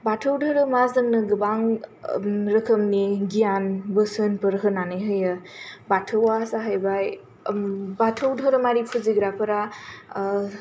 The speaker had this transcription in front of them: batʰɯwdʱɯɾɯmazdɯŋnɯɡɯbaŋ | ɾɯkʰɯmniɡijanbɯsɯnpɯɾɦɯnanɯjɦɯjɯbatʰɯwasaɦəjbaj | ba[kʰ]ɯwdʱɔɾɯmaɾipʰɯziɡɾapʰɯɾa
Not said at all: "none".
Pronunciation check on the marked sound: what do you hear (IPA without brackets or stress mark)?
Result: tʰ